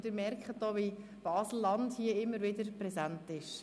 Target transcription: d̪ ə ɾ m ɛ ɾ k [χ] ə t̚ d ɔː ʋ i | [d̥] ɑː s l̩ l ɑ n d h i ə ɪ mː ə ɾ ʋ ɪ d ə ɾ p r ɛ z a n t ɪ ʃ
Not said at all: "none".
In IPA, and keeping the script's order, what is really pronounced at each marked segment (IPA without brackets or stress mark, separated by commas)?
χ, b̥